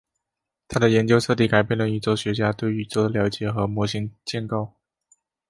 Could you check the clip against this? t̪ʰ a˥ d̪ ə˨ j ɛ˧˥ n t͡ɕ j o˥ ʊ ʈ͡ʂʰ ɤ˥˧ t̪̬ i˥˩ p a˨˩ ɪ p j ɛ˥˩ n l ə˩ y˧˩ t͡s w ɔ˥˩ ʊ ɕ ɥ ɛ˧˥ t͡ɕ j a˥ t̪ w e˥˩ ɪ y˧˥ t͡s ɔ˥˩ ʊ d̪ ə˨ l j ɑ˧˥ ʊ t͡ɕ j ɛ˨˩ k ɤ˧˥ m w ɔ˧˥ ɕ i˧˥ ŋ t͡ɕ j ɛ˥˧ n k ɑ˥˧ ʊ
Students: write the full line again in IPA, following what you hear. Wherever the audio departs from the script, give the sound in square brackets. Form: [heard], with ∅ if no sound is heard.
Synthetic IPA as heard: t̪ʰ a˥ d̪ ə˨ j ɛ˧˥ n t͡ɕ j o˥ ʊ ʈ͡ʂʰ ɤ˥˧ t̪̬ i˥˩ [k] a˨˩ ɪ p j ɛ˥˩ n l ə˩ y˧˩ t͡s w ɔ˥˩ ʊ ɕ ɥ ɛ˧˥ t͡ɕ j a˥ t̪ w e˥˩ ɪ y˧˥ t͡s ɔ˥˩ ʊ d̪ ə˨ l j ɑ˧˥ ʊ t͡ɕ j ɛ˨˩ [x] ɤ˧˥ m w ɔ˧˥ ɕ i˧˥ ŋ t͡ɕ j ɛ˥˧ n k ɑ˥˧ ʊ

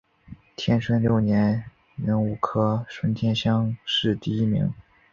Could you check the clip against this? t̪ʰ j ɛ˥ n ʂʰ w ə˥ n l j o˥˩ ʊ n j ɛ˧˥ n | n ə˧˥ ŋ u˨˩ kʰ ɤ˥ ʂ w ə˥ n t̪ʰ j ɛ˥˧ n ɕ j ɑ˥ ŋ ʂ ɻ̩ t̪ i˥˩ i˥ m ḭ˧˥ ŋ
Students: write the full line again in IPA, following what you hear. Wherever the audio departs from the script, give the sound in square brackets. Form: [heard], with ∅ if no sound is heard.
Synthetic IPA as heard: t̪ʰ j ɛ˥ n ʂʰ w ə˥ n l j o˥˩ ʊ n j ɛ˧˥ n | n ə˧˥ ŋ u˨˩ kʰ ɤ˥ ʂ w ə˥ n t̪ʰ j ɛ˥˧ n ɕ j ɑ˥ ŋ ʂ ɻ̩ t̪ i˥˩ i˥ m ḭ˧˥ ŋ

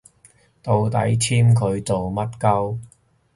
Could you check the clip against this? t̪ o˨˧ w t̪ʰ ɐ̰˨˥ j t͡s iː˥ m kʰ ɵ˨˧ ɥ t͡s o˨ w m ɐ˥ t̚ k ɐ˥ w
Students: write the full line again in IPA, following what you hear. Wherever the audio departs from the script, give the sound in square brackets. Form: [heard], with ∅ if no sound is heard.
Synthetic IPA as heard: t̪ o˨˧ w [t̪] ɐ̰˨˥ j [t͡sʰ] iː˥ m kʰ ɵ˨˧ ɥ t͡s o˨ w m ɐ˥ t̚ k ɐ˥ w

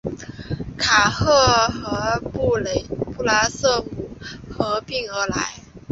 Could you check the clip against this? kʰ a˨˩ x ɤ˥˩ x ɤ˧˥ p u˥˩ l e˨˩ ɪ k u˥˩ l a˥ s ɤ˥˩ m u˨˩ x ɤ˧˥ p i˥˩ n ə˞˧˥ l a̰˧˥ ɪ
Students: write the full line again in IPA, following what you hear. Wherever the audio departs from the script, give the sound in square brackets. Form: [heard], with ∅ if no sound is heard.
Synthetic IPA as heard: kʰ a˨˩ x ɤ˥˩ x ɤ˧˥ p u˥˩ l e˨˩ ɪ [p] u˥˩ l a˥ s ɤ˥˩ m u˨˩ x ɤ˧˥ p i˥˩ [ŋ] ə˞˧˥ l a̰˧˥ ɪ

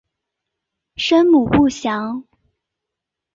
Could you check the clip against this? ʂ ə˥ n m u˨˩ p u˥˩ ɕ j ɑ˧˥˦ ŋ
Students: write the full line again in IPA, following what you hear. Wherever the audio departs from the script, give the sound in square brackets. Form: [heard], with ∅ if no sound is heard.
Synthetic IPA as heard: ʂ ə˥ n m u˨˩ p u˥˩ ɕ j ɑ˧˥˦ ŋ

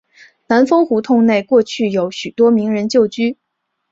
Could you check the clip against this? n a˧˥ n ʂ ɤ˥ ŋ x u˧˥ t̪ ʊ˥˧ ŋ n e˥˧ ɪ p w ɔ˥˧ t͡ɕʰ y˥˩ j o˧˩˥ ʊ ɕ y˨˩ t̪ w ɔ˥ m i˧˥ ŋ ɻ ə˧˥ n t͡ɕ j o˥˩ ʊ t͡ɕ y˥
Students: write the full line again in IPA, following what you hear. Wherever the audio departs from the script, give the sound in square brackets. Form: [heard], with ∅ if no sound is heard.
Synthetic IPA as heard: n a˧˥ n [f] ɤ˥ ŋ x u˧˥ [t̪ʰ] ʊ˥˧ ŋ n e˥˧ ɪ [k] w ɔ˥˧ t͡ɕʰ y˥˩ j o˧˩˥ ʊ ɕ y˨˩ t̪ w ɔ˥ m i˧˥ ŋ ɻ ə˧˥ n t͡ɕ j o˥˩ ʊ t͡ɕ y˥

